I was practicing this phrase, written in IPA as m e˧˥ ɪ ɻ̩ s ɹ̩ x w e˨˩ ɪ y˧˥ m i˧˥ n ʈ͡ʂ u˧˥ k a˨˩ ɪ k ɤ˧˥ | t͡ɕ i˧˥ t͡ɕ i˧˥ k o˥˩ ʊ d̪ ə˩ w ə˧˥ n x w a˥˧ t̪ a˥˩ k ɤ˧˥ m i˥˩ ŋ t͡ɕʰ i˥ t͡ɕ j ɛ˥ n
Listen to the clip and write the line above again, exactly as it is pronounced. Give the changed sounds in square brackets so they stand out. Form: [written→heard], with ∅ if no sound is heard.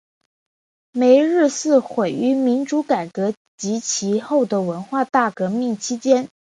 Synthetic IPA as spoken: m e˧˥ ɪ ɻ̩ s ɹ̩ x w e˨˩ ɪ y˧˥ m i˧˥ n ʈ͡ʂ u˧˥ k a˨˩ ɪ k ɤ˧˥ | t͡ɕ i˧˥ [t͡ɕ→t͡ɕʰ] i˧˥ [k→x] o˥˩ ʊ d̪ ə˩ w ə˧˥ n x w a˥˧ t̪ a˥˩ k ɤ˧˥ m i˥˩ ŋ t͡ɕʰ i˥ t͡ɕ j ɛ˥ n